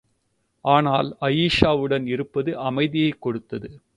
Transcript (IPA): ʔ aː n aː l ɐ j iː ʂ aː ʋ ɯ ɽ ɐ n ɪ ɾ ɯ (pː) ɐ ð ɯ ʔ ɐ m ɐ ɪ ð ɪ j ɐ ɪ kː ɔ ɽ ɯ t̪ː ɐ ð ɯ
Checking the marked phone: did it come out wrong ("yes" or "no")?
no